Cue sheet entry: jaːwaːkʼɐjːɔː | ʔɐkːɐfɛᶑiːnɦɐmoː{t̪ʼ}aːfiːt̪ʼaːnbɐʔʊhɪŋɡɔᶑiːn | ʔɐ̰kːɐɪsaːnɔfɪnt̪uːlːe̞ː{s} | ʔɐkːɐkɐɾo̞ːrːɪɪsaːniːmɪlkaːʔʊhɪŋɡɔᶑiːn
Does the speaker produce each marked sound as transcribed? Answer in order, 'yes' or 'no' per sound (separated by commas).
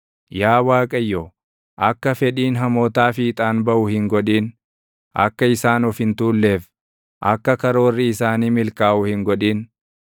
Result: no, no